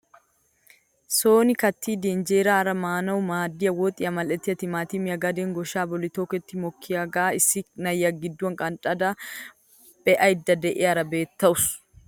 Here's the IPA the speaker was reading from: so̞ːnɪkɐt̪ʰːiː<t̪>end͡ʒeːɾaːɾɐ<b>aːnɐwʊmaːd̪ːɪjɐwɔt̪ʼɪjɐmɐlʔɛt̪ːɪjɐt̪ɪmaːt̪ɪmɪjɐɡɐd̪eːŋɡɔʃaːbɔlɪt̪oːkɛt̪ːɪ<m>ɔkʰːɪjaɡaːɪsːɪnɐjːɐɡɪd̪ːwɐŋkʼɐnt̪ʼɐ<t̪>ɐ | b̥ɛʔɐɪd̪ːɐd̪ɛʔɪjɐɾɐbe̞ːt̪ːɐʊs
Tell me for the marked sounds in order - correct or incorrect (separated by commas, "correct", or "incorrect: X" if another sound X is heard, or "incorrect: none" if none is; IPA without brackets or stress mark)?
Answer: incorrect: d̪, incorrect: m, correct, incorrect: d̪